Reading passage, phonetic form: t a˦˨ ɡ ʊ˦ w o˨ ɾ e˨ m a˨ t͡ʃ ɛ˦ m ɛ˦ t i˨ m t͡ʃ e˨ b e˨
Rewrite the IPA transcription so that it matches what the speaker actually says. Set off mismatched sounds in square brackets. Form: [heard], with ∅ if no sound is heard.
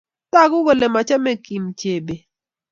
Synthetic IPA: t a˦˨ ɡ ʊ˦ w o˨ [l] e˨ m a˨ t͡ʃ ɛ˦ m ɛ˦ [k] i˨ m t͡ʃ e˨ b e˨